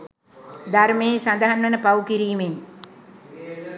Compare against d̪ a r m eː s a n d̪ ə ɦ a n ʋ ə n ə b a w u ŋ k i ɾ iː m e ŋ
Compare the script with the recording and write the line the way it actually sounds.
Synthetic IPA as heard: d̪ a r m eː s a n d̪ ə ɦ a n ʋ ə n ə p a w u k i ɾ iː m e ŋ